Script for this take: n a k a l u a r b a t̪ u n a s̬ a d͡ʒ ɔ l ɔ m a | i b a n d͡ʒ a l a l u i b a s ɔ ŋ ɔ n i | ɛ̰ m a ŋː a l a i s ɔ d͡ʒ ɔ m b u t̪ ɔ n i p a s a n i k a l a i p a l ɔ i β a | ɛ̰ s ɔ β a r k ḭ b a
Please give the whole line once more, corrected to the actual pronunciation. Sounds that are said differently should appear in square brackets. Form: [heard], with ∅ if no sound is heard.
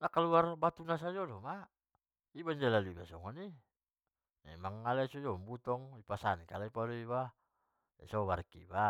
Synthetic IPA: n a k a l u a r b a t̪ u n a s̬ a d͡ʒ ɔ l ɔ m a | i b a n d͡ʒ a l a l u i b a s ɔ ŋ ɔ n i | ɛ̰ m a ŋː a l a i s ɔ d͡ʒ ɔ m b u t̪ ɔ [ŋ] i p a s a n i k a l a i p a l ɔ i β a | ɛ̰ s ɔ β a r k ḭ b a

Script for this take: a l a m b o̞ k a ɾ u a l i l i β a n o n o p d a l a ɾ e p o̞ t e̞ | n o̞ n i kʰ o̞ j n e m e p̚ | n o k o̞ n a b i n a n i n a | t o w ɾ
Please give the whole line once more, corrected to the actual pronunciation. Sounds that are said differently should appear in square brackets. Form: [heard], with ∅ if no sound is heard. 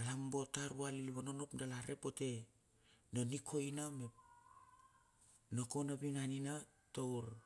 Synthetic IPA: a l a m b o̞ [t] a ɾ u a l i l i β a n o n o p d a l a ɾ e p o̞ t e̞ | n o̞ n i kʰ o̞ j n [a] m e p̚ | n o k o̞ n a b i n a n i n a | t o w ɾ

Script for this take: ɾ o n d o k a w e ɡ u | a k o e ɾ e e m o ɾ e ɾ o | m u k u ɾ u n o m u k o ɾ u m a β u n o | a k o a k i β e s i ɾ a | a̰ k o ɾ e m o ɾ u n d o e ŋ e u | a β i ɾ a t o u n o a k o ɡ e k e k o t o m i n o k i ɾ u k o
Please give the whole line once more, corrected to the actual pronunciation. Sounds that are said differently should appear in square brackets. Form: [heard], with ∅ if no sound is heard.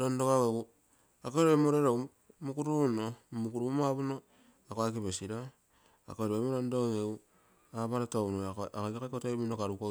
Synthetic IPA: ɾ o n d o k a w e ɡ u | a k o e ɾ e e m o ɾ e ɾ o | m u k u ɾ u n o m u k [u] ɾ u m a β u n o | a k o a k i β e s i ɾ a | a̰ k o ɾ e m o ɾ [o] n d o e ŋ e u | a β [a] ɾ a t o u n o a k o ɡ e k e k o t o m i n o k [a] ɾ u k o

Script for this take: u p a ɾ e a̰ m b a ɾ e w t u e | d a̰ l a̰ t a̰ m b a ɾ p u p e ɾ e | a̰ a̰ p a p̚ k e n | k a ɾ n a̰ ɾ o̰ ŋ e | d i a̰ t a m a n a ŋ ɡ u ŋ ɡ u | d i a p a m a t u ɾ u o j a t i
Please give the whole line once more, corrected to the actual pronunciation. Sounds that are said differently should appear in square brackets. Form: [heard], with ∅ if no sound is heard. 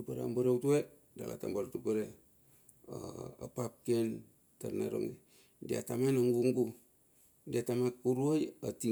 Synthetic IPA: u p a ɾ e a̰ m b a ɾ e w t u e | d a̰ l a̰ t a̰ m b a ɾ [t] u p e ɾ e | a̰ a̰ p a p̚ k e n | [t] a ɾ n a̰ ɾ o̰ ŋ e | d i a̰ t a m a n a ŋ ɡ u ŋ ɡ u | d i a [t] a m a [k] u ɾ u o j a t i

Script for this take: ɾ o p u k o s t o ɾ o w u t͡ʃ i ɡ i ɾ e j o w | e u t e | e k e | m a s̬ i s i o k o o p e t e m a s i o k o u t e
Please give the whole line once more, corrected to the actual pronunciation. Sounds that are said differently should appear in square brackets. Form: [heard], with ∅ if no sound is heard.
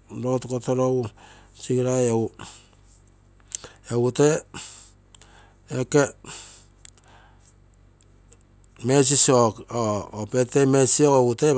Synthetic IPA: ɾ o [t] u k o [∅] t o ɾ o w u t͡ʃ i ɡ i ɾ [a] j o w | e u t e | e k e | m [e] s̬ i s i o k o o p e t e m [e] s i o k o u t e

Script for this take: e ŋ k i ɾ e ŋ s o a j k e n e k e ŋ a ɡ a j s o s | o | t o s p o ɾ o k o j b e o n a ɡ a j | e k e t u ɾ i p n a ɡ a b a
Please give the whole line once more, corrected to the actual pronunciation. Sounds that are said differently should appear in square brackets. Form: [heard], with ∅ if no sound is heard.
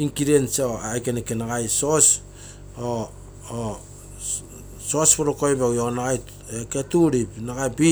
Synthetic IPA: [i] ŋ k i ɾ e [n] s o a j k e n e k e [n] a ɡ a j s o s | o | [s] o s p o ɾ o k o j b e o n a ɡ a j | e k e t u ɾ i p n a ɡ a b [i]

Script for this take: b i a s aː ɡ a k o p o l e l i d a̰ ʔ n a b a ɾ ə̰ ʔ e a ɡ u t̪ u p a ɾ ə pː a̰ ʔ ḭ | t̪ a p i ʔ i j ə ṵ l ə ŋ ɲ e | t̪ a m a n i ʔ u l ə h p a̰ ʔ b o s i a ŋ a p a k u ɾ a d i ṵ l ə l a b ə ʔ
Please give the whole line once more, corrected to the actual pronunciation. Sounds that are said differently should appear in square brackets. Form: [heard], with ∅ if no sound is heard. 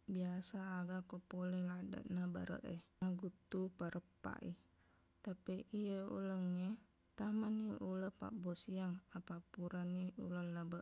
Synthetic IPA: b i a s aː ɡ a k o p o l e l [a] d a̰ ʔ n a b a ɾ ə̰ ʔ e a ɡ u t̪ u p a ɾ ə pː a̰ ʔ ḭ | t̪ a p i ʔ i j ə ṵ l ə ŋ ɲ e | t̪ a m a n i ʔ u l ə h p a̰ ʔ b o s i a ŋ a p a [p] u ɾ a [n] i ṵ l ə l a b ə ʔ

